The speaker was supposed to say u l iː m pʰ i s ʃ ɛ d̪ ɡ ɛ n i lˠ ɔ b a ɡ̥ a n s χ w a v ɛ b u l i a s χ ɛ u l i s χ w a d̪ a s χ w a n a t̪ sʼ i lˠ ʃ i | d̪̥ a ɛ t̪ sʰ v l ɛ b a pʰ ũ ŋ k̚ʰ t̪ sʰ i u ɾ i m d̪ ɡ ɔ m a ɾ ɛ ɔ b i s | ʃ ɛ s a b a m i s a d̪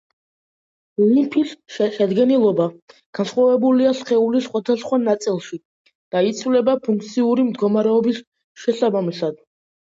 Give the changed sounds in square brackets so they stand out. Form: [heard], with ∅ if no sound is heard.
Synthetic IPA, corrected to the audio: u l [i] m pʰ i s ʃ ɛ d̪ ɡ ɛ n i lˠ ɔ b a ɡ̥ a n s χ w a v ɛ b u l i a s χ ɛ u l i s χ w a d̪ a s χ w a n a t̪ sʼ i lˠ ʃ i | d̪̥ a [i] t̪ sʰ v l ɛ b a pʰ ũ ŋ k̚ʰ t̪ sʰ i u ɾ i m d̪ ɡ ɔ m a ɾ ɛ ɔ b i s | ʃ ɛ s a b a m i s a d̪